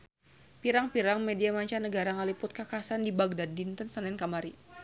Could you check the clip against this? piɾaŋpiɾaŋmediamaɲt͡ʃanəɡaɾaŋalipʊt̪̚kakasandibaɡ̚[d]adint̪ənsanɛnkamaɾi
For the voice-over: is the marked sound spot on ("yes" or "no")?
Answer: yes